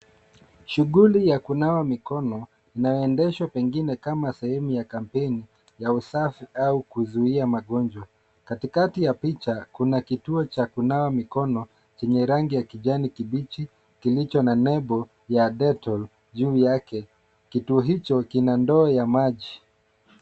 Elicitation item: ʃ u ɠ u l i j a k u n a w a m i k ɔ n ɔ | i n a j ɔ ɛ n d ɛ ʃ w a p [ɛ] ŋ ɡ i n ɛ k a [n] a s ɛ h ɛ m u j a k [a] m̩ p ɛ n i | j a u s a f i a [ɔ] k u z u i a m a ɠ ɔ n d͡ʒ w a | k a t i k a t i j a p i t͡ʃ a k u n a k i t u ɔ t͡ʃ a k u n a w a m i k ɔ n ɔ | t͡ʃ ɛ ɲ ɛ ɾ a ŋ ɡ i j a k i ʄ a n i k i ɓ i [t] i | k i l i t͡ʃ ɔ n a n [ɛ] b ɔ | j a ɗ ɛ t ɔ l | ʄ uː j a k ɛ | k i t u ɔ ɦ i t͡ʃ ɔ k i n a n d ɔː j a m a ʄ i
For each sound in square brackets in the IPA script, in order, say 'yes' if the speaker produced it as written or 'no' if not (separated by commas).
yes, no, yes, no, no, yes